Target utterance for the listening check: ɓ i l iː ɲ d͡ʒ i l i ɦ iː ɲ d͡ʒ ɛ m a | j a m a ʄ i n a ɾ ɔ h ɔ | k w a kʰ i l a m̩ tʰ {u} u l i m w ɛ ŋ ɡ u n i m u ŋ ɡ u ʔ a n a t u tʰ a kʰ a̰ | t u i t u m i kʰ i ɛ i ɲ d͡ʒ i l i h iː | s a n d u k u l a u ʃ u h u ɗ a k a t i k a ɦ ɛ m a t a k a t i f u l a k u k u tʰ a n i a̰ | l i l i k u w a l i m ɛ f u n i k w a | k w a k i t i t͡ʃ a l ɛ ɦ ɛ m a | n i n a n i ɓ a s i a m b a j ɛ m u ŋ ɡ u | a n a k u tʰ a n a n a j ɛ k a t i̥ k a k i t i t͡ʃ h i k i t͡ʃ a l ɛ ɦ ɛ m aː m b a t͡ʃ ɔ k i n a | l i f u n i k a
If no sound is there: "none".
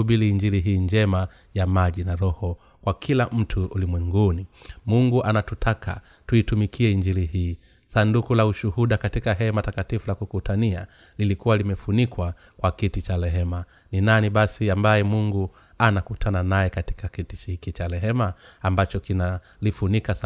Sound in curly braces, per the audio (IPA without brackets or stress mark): u